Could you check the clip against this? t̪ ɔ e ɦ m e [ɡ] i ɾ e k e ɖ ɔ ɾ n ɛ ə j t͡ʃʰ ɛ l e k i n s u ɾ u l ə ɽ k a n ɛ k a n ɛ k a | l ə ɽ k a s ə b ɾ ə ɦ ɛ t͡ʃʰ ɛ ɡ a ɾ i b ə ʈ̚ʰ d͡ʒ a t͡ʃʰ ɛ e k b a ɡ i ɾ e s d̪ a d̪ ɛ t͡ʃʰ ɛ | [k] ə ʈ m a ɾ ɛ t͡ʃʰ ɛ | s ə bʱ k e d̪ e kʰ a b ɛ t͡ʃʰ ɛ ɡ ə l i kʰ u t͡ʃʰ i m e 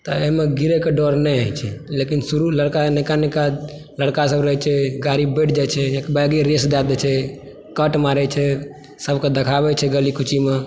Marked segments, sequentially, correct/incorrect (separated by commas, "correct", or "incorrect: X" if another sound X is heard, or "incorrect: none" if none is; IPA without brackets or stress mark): correct, correct